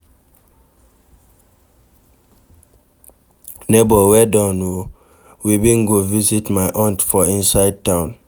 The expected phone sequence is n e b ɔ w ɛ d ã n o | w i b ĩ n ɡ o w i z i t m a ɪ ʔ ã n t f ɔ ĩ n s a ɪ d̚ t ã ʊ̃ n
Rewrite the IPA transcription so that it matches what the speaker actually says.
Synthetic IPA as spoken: n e b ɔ w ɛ d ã n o | w i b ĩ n ɡ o v i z i t m a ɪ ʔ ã n t f ɔ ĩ n s a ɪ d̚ t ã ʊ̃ n